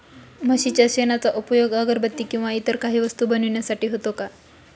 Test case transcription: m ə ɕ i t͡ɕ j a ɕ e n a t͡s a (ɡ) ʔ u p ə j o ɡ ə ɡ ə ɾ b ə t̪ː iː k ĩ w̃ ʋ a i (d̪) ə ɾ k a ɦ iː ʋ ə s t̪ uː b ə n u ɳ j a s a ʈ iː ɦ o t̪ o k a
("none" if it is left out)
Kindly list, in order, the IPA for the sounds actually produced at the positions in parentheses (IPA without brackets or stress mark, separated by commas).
none, t̪